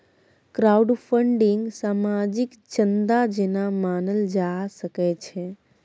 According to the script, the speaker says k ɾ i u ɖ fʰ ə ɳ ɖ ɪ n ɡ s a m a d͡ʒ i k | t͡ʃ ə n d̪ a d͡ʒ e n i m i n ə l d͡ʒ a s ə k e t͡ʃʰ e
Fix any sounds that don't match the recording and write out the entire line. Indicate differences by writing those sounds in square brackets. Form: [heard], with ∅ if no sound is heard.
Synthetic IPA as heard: k ɾ [a] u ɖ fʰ ə ɳ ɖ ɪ [ŋ] ɡ s a m a d͡ʒ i k | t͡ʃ ə n d̪ a d͡ʒ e n [a] m [a] n ə l d͡ʒ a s ə k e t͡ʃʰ e